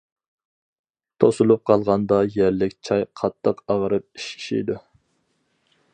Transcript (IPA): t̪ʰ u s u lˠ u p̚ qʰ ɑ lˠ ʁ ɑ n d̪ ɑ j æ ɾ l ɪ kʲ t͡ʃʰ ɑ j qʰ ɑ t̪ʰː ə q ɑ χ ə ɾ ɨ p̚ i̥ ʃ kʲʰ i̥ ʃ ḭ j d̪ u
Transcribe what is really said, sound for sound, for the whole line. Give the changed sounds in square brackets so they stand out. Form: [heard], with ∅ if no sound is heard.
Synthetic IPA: t̪ʰ [o] s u lˠ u p̚ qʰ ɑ lˠ ʁ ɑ n d̪ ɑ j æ ɾ l ɪ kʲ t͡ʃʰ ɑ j qʰ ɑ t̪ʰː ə q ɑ [ʁ] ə ɾ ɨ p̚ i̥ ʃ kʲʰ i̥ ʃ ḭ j d̪ u